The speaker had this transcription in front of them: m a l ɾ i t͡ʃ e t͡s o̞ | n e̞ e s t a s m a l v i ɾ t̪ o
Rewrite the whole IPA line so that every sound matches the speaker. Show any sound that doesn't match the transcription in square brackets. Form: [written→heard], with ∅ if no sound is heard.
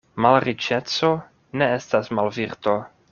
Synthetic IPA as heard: m a l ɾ i t͡ʃ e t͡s o̞ | n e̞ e s t a s m a l v i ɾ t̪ o